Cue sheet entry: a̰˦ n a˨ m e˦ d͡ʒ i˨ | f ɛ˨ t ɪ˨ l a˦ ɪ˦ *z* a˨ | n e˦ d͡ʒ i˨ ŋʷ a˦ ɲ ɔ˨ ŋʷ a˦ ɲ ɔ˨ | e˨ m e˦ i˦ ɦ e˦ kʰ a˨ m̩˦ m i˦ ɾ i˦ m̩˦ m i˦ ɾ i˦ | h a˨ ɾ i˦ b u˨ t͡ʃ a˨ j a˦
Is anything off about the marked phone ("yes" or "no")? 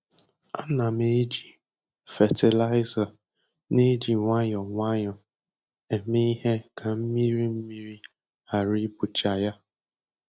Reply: no